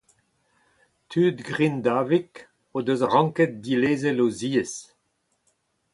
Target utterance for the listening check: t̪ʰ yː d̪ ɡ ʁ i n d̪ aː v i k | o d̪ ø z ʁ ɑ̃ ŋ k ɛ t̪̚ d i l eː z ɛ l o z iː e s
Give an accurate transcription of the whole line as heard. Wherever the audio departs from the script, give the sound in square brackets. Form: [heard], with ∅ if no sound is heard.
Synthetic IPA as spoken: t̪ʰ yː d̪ ɡ ʁ i n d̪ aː v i k | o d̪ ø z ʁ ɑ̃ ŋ k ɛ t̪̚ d i l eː z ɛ l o z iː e s